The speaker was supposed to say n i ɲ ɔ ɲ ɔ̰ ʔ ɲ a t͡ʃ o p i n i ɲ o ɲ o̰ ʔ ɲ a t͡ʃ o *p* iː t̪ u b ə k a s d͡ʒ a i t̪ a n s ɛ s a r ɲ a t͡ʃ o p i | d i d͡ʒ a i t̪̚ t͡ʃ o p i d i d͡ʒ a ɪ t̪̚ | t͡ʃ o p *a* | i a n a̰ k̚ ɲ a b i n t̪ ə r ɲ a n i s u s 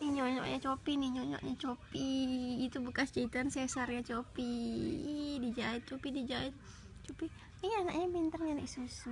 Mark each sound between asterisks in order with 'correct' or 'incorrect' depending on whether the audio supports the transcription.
correct, incorrect: i

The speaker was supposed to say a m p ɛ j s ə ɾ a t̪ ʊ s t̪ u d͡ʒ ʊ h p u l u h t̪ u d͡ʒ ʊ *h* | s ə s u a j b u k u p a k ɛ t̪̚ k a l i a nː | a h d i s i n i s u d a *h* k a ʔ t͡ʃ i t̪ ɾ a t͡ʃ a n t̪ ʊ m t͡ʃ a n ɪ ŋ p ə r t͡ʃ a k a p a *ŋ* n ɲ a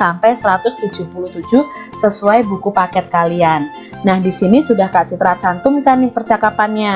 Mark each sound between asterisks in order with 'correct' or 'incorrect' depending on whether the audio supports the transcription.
correct, correct, incorrect: none

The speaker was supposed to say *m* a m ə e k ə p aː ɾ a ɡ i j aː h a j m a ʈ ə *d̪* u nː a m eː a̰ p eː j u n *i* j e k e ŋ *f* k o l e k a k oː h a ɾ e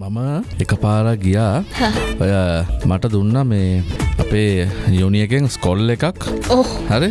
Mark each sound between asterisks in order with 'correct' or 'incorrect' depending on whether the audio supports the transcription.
correct, correct, correct, incorrect: s

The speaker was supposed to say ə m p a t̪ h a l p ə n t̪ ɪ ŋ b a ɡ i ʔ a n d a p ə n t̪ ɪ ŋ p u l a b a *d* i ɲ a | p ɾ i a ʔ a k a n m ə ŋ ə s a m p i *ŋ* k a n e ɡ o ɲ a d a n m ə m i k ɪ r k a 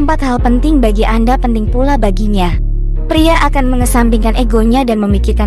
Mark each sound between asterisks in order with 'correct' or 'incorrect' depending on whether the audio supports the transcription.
incorrect: ɡ, correct

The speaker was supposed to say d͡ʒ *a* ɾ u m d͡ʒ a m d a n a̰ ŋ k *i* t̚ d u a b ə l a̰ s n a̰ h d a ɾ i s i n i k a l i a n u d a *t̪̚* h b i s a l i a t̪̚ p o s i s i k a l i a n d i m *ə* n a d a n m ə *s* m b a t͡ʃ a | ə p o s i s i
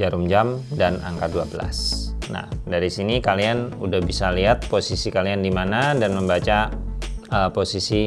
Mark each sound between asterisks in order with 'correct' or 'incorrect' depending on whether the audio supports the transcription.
correct, incorrect: a, incorrect: none, incorrect: a, incorrect: none

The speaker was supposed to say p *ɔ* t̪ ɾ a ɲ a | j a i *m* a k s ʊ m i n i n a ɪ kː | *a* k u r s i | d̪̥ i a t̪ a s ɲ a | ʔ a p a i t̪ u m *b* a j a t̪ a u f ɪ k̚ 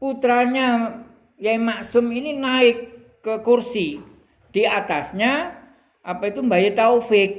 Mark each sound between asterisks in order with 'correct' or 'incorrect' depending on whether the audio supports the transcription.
incorrect: u, correct, incorrect: ə, correct

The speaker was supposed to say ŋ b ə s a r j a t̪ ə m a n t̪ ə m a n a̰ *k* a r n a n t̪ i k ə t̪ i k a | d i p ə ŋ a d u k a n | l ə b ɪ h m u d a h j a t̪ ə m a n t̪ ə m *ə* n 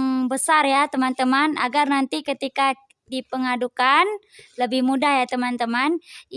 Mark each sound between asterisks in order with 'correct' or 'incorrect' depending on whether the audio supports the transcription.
incorrect: ɡ, incorrect: a

